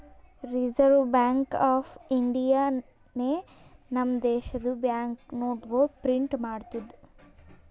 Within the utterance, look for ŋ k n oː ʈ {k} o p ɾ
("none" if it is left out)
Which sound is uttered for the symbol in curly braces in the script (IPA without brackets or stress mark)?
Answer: ɡ